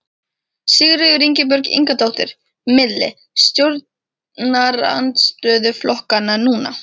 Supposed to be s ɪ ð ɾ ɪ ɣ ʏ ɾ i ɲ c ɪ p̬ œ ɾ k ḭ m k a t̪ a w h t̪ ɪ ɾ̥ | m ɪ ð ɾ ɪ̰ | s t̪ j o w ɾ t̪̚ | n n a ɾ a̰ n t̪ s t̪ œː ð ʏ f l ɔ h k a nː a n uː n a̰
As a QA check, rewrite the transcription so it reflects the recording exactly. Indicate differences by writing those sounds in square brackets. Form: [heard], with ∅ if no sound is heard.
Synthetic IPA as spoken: s ɪ [ɣ] ɾ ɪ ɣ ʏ ɾ i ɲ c ɪ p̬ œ ɾ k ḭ [ŋ] k a t̪ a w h t̪ ɪ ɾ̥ | m ɪ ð [l] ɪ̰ | s t̪ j o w ɾ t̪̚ | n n a ɾ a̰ n t̪ s t̪ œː ð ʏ f l ɔ h k a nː a n uː n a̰